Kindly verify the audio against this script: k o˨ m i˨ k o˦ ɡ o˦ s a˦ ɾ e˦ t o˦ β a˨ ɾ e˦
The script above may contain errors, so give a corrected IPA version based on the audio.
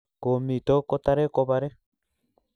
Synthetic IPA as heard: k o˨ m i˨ t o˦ k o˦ t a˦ ɾ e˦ k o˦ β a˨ ɾ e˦